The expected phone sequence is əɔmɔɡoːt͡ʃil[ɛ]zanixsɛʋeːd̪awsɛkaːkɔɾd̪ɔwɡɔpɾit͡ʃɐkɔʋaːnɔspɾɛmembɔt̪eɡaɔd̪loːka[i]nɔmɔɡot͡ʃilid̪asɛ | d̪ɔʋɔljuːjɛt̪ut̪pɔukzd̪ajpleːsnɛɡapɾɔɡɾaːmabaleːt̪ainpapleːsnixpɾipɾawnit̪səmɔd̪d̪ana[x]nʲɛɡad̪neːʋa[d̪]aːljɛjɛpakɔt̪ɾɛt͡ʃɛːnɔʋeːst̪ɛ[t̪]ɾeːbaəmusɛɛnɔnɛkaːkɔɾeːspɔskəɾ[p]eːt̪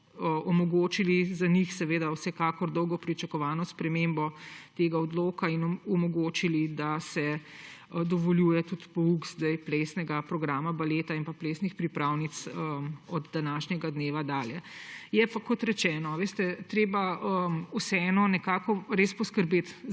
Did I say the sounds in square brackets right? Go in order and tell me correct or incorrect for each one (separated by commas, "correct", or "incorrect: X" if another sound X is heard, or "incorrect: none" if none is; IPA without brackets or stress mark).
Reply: incorrect: i, correct, incorrect: ʃ, correct, correct, incorrect: b